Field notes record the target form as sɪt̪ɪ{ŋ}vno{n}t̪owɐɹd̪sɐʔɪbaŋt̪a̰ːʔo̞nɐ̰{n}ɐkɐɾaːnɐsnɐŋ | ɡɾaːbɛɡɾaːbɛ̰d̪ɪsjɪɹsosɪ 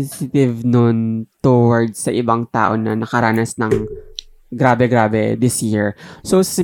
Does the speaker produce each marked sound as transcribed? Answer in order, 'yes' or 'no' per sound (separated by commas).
no, yes, yes